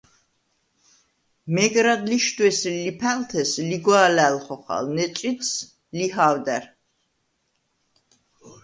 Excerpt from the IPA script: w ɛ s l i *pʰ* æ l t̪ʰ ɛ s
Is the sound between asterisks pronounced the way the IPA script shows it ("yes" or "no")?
yes